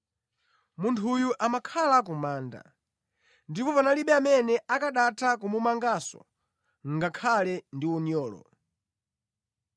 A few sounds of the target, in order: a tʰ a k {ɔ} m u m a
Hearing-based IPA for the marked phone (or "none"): u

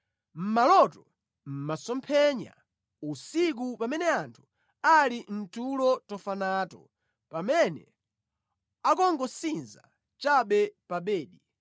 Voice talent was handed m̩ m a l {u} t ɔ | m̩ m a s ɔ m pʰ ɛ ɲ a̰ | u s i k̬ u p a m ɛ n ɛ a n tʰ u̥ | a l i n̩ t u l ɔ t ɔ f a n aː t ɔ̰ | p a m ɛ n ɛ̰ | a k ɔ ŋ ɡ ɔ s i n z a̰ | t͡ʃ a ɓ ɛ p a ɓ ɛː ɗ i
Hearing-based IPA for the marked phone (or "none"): ɔ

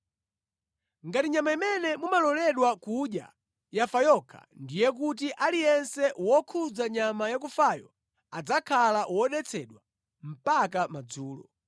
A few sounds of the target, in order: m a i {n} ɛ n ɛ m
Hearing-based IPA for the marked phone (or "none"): m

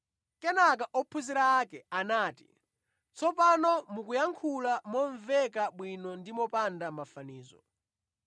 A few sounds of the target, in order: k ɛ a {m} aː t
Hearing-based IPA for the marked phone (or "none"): n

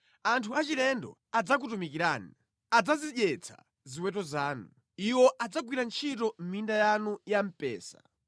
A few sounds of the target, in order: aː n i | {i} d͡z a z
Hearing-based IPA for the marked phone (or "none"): a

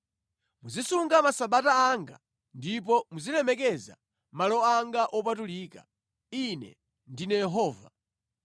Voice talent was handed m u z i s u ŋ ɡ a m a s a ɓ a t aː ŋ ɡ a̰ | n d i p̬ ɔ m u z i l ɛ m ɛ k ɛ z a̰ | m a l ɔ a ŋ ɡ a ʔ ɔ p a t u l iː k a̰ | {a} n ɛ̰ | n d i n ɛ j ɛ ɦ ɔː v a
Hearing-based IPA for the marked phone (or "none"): i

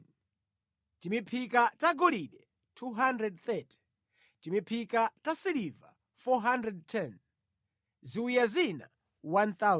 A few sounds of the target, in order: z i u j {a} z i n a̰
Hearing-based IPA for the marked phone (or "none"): a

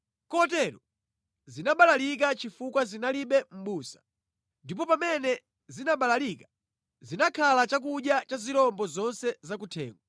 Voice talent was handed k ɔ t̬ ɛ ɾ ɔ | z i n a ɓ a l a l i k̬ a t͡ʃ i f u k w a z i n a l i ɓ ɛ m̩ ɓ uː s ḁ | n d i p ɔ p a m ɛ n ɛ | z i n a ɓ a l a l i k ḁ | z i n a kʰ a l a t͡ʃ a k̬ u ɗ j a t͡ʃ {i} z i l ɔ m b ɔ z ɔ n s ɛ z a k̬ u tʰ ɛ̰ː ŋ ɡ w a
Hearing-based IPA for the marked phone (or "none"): a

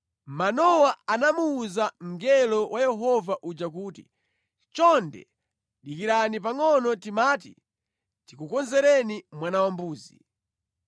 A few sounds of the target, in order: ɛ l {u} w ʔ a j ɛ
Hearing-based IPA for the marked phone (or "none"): ɔ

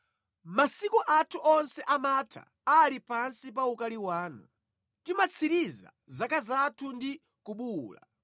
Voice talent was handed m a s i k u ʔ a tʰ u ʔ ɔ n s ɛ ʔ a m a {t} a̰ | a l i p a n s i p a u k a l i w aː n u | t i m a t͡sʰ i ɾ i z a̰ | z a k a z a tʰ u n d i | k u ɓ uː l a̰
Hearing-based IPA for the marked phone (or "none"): tʰ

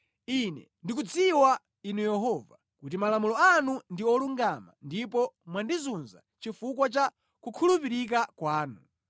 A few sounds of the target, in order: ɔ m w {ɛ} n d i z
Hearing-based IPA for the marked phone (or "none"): a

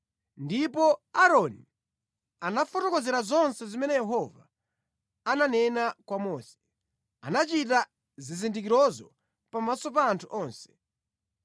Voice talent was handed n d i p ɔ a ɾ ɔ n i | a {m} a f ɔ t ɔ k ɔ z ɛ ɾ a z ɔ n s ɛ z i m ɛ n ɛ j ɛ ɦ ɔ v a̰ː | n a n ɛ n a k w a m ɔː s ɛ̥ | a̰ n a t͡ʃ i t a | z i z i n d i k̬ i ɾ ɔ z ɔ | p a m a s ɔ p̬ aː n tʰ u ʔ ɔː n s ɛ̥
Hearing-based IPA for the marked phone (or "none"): n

